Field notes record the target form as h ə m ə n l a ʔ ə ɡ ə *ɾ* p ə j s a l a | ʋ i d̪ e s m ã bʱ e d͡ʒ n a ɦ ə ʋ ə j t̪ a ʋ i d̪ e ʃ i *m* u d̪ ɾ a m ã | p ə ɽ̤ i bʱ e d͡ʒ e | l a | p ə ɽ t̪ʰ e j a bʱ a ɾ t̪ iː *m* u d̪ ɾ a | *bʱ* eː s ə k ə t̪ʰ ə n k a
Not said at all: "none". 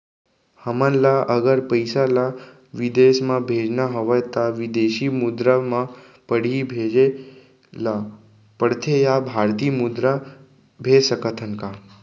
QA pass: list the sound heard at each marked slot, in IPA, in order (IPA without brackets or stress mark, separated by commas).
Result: ɾ, m, m, bʱ